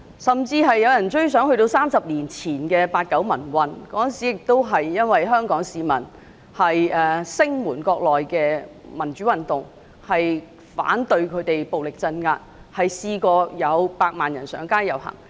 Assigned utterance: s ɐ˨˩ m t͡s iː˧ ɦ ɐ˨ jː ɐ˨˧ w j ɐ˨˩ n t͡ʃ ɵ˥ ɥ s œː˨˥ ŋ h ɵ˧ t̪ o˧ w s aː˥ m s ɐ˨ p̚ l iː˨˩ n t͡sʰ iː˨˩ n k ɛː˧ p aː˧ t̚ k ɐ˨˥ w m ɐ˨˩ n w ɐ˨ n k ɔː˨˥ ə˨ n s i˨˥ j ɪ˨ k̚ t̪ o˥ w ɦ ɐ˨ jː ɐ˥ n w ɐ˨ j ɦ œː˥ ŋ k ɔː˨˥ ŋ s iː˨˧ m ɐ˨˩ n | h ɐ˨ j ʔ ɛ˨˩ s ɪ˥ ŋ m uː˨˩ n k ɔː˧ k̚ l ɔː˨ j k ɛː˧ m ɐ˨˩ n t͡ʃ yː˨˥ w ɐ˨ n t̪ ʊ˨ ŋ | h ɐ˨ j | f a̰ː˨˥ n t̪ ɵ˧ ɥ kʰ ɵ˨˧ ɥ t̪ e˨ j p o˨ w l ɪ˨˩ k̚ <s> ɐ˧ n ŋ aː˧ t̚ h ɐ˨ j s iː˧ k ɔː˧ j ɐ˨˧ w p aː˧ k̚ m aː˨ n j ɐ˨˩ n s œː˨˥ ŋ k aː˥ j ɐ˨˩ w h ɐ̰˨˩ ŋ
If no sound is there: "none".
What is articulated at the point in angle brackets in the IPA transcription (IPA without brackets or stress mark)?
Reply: t͡s